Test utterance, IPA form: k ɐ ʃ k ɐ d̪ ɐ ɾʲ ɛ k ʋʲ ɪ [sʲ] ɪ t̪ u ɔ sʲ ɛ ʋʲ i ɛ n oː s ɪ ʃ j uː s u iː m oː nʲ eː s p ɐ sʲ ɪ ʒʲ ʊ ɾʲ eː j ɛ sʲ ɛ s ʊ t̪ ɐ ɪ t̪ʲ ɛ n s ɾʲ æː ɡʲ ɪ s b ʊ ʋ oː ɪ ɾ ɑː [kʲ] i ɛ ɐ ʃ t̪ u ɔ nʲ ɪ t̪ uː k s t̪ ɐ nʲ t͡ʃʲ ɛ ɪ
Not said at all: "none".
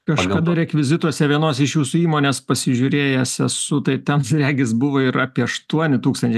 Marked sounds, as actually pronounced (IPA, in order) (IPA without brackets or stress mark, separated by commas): zʲ, pʲ